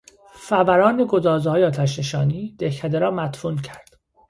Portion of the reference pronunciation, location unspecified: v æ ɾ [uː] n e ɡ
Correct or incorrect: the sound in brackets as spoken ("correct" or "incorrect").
incorrect